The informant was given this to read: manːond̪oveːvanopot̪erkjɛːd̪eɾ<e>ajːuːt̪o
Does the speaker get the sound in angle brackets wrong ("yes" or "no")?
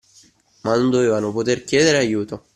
no